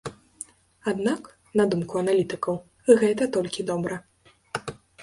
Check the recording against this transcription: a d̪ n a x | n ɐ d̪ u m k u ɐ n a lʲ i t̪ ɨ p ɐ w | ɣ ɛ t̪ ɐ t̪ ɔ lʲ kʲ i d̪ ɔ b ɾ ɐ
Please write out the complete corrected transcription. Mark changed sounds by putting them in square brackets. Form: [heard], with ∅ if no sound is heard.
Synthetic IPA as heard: a d̪ n a [k] | n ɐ d̪ u m k u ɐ n a lʲ i t̪ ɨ [k] ɐ w | ɣ ɛ t̪ ɐ t̪ ɔ lʲ kʲ i d̪ ɔ b ɾ ɐ